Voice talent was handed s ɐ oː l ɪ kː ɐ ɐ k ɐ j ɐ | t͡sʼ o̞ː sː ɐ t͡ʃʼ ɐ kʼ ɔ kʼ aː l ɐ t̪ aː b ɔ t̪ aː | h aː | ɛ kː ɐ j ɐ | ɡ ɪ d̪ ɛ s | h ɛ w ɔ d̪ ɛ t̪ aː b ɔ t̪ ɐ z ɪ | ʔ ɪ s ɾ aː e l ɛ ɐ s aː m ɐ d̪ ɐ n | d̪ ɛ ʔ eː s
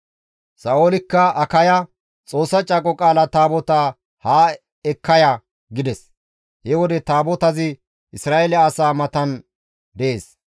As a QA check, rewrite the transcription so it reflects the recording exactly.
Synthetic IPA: s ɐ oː l ɪ kː ɐ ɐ k ɐ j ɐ | t͡sʼ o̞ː sː ɐ t͡ʃʼ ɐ kʼ ɔ kʼ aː l ɐ t̪ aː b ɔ t̪ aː | h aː | ɛ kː ɐ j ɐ | ɡ ɪ d̪ ɛ s | h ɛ w ɔ d̪ ɛ t̪ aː b ɔ t̪ ɐ z ɪ | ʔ ɪ s ɾ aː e l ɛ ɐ s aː m ɐ t̪ ɐ n | d̪ ɛ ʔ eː s